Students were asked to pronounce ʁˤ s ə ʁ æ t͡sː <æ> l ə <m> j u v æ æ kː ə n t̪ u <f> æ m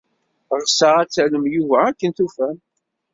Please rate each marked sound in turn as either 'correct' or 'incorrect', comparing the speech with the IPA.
correct, correct, correct

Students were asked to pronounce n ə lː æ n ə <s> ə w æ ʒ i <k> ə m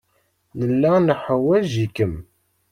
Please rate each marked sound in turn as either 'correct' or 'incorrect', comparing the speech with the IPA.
incorrect: ħ, correct

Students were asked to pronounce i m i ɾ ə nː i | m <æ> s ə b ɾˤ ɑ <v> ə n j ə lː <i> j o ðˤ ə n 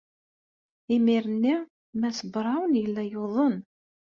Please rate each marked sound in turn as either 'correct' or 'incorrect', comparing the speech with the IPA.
correct, incorrect: w, incorrect: æ

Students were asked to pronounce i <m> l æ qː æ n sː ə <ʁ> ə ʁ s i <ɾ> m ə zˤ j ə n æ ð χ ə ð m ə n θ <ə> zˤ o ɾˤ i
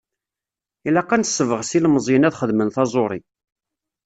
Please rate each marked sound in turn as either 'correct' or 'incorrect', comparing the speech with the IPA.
incorrect: none, incorrect: v, incorrect: l, incorrect: ɑ

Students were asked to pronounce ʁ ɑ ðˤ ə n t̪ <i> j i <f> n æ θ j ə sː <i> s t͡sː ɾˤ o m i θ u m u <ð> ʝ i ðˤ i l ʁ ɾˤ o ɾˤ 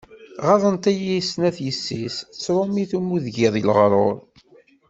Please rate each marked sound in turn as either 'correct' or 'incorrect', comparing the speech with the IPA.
incorrect: æ, incorrect: s, correct, correct

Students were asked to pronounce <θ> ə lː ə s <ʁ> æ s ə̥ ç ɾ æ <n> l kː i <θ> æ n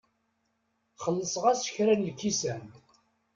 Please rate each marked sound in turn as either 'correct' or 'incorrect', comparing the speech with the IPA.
incorrect: χ, correct, correct, incorrect: s

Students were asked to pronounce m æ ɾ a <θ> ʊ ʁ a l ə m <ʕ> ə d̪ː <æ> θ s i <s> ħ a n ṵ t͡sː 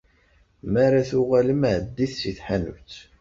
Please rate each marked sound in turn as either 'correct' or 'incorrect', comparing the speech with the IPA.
correct, correct, incorrect: i, incorrect: θ

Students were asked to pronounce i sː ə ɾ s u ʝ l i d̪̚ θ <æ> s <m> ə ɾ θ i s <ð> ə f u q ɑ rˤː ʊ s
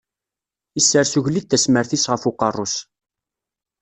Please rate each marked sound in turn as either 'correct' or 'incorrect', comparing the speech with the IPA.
correct, correct, incorrect: ʁ

